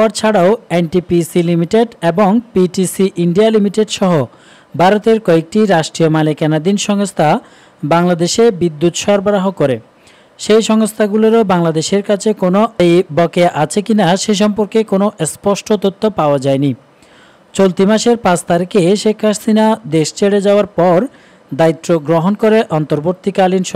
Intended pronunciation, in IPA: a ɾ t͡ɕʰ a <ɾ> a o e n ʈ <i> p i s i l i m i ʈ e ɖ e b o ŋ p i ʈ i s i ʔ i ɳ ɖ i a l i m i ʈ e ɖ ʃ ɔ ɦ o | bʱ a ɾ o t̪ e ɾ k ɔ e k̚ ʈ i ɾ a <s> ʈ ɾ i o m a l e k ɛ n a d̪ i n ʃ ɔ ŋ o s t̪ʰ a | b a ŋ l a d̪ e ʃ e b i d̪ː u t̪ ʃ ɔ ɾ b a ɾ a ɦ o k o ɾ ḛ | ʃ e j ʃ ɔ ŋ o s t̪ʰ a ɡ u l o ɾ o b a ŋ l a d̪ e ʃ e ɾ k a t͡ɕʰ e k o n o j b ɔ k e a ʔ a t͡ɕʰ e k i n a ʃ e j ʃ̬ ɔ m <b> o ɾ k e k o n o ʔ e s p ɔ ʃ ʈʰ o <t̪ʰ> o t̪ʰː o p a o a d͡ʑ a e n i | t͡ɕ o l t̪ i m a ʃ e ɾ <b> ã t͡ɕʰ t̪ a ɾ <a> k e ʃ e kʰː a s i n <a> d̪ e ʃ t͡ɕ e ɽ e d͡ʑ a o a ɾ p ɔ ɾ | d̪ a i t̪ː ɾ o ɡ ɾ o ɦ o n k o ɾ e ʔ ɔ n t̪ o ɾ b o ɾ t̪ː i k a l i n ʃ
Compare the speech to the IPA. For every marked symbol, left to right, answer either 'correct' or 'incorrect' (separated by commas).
incorrect, correct, incorrect, incorrect, incorrect, incorrect, incorrect, correct